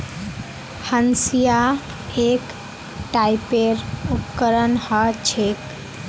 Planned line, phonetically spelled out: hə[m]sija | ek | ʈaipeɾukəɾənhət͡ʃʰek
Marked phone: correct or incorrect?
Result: incorrect